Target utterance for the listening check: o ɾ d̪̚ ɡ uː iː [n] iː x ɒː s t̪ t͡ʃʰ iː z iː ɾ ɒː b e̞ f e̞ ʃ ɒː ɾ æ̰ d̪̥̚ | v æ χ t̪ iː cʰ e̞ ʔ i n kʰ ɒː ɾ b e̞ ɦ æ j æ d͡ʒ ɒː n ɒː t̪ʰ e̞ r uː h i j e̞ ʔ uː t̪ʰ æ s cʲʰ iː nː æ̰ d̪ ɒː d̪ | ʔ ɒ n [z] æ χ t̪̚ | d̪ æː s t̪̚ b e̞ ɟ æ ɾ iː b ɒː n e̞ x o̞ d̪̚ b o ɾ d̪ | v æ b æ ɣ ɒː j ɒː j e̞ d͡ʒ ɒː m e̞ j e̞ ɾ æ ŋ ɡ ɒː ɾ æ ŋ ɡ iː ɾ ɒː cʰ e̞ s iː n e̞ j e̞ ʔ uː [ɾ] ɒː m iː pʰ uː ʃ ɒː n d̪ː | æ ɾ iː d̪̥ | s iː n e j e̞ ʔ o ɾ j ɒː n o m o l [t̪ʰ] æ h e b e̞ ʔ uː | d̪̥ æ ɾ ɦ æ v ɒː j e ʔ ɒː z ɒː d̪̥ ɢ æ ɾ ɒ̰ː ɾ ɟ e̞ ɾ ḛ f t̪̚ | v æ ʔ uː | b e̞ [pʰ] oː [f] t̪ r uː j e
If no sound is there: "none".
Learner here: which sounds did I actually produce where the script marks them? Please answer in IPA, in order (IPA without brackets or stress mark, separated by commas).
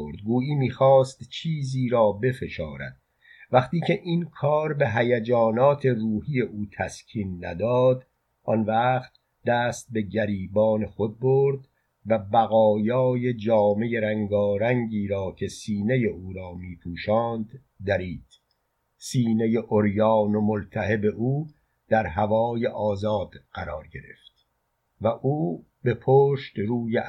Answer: m, v, ɾ, t̪ʰ, pʰ, ʃ